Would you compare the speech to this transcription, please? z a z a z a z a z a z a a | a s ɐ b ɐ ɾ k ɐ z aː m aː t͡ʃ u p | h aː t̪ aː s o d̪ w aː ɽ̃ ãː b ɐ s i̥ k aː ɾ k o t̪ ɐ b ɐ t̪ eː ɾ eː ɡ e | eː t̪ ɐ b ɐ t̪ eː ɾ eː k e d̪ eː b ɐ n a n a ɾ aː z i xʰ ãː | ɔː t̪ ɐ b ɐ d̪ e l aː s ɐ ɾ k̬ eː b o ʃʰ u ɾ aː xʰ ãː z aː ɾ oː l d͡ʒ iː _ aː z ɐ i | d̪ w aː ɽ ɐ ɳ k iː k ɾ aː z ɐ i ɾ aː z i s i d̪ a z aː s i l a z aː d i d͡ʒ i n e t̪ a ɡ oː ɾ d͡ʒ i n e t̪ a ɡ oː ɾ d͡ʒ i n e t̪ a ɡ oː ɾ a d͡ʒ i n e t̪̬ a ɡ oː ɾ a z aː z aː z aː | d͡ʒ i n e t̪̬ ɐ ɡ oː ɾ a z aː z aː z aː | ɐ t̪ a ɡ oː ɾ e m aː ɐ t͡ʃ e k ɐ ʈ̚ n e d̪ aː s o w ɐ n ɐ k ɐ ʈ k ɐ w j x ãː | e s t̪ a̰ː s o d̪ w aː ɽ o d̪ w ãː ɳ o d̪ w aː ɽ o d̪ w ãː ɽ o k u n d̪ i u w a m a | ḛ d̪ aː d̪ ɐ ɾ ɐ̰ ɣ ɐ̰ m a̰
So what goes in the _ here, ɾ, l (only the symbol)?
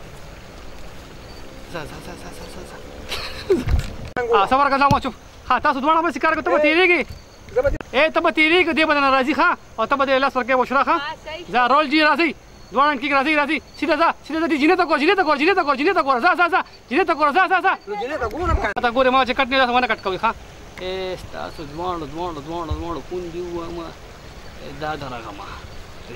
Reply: ɾ